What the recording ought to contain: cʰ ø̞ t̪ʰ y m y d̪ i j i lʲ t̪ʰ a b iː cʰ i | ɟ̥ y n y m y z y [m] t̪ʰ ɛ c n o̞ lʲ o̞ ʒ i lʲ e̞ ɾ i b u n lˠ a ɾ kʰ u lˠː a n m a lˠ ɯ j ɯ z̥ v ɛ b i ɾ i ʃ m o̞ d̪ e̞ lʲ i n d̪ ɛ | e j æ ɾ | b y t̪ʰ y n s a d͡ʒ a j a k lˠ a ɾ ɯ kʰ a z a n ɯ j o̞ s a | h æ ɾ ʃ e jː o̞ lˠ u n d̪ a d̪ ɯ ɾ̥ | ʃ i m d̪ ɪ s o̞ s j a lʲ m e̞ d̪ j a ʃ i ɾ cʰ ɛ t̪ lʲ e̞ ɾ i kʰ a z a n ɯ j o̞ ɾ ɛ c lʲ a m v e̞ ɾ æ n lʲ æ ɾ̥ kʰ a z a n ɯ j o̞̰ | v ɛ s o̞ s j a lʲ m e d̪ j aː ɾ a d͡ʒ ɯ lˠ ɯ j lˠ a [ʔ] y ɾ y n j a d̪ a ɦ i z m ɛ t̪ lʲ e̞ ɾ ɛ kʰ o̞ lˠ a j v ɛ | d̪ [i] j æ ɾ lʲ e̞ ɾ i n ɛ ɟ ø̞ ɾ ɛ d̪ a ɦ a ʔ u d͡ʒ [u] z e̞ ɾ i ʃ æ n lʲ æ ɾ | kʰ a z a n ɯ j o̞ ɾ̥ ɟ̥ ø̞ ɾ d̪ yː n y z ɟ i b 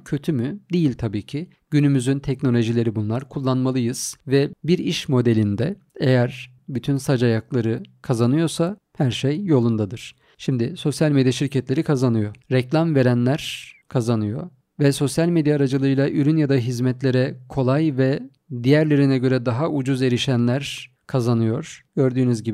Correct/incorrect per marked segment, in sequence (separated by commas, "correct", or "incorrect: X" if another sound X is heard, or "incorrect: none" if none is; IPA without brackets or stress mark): incorrect: n, correct, correct, correct